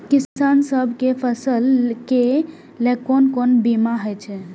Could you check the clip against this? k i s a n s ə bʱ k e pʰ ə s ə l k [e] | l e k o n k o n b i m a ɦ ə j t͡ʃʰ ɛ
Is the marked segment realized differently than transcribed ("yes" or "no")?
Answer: no